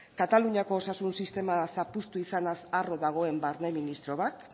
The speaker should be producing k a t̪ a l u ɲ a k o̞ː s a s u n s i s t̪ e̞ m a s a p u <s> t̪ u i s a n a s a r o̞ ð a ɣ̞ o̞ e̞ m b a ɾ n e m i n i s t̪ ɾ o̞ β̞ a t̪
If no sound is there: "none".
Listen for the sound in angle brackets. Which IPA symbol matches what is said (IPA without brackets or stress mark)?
s